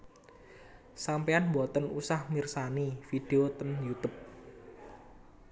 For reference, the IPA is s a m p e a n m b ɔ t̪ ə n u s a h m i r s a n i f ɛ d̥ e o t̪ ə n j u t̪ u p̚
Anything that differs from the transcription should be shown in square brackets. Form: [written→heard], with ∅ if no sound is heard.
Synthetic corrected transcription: s a m p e a n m b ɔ t̪ ə n u s a h m i r s a n i f [ɛ→i] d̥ e o t̪ ə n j u t̪ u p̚